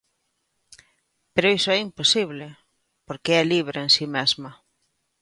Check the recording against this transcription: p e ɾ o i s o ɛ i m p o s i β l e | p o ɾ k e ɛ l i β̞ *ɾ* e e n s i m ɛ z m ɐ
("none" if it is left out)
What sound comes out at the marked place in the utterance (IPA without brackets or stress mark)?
ɾ